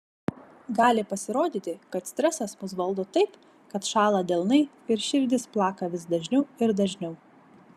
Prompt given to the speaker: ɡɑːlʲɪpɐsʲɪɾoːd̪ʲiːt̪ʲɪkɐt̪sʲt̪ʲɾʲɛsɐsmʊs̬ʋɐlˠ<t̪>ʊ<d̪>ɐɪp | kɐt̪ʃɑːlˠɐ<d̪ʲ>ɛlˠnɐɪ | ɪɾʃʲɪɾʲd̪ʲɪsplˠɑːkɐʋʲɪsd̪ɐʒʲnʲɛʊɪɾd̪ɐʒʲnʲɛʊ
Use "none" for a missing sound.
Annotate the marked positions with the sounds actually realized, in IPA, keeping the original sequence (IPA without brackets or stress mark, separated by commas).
d̪, t̪, d̪ʲ